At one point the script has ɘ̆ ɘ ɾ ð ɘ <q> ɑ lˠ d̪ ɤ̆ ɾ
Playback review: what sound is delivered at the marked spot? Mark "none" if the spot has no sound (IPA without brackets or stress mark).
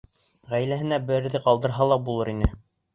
q